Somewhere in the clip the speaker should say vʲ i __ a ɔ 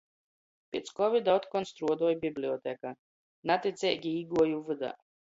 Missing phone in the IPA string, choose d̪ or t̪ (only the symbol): d̪